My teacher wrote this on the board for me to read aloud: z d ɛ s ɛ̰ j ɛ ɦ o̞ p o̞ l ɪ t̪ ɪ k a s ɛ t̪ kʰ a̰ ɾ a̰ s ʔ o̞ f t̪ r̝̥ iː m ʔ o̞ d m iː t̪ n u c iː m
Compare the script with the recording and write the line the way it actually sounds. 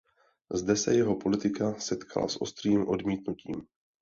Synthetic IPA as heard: z d ɛ s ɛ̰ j ɛ ɦ o̞ p o̞ l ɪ t̪ ɪ k a s ɛ t̪ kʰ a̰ l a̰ s ʔ o̞ s t̪ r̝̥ iː m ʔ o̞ d m iː t̪ n u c iː m